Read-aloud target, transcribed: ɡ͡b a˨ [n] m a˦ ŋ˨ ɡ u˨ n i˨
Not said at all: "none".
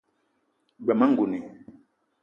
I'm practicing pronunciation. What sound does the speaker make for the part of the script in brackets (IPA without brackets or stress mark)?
none